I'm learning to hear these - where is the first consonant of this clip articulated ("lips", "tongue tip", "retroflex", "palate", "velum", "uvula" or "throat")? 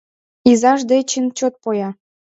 tongue tip